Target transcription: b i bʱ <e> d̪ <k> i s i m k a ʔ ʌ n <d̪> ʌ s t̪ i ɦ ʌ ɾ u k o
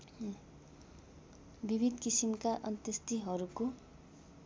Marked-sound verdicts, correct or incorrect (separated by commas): incorrect, correct, incorrect